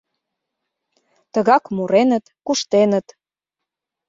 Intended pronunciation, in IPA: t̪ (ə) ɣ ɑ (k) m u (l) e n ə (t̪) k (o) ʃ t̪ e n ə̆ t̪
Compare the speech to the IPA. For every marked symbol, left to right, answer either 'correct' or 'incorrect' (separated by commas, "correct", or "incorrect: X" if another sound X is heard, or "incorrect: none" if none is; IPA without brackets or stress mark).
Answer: correct, correct, incorrect: ɾ, correct, incorrect: u